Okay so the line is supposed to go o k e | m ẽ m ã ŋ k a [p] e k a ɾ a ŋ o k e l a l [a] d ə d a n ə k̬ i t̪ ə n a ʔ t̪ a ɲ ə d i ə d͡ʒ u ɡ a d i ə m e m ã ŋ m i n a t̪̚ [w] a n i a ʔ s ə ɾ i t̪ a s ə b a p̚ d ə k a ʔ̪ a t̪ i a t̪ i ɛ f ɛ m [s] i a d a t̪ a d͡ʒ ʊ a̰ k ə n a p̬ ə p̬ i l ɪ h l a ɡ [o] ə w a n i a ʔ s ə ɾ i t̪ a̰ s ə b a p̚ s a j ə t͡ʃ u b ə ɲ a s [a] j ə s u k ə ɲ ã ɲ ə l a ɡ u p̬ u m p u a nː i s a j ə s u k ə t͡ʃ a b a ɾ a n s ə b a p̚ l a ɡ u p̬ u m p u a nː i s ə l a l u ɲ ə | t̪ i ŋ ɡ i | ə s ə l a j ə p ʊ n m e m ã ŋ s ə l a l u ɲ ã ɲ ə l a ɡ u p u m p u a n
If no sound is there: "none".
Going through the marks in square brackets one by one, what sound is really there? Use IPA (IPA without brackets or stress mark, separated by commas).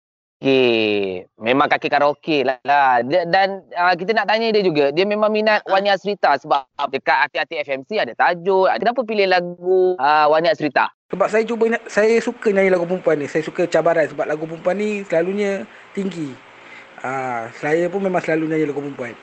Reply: k, a, w, s, u, a